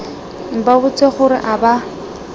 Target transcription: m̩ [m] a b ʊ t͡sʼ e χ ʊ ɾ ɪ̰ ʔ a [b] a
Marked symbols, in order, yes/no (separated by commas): no, yes